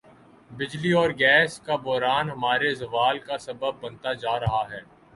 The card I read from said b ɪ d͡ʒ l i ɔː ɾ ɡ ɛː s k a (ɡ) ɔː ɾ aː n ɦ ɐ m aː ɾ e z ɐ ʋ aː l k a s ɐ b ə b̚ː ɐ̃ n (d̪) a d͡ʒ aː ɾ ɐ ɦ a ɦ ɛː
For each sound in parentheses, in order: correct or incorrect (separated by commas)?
incorrect, incorrect